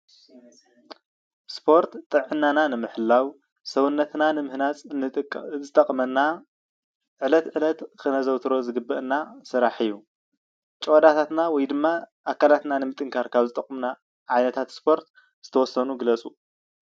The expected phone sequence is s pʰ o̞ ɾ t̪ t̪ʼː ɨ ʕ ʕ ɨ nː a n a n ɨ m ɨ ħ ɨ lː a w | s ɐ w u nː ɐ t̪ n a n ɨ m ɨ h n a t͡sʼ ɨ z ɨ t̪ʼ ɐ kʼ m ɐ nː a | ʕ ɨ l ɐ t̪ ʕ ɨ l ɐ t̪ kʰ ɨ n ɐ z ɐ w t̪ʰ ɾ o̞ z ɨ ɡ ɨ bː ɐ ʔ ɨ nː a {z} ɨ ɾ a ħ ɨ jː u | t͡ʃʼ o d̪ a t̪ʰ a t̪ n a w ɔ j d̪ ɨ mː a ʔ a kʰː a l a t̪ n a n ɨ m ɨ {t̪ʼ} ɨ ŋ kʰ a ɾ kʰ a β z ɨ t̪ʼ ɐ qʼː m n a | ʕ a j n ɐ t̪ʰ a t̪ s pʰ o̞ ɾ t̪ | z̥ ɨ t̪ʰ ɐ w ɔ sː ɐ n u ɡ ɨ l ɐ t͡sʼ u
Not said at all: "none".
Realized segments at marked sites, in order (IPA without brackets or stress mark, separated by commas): s, t̪ʼ